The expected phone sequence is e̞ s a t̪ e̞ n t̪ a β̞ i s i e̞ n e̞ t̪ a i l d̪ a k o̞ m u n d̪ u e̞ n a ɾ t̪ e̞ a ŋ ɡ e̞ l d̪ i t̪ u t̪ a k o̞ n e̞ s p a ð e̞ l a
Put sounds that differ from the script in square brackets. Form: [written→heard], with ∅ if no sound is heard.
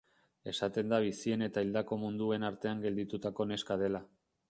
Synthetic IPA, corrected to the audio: e̞ s a t̪ e̞ n [t̪→d̪] a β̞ i s i e̞ n e̞ t̪ a i l d̪ a k o̞ m u n d̪ u e̞ n a ɾ t̪ e̞ a ŋ ɡ e̞ l d̪ i t̪ u t̪ a k o̞ n e̞ s [p→k] a ð e̞ l a